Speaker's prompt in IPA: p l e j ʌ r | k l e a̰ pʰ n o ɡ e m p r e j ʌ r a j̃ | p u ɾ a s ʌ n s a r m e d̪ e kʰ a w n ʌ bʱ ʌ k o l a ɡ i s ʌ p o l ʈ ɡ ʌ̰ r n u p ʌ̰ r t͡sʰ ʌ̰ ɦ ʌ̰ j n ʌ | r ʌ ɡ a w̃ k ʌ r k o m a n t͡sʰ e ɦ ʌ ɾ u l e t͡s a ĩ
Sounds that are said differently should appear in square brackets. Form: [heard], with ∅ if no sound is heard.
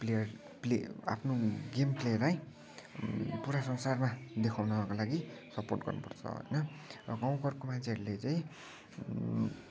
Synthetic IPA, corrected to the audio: p l e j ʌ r | [p] l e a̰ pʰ n o ɡ e m p [l] e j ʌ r a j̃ | p u ɾ a s ʌ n s a r m [a] d̪ e kʰ a w n ʌ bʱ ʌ k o l a ɡ i s ʌ p o [r] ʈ ɡ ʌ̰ r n u p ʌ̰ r t͡sʰ ʌ̰ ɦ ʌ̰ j n ʌ | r ʌ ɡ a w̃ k ʌ r k o m a n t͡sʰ e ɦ ʌ ɾ u l e t͡s a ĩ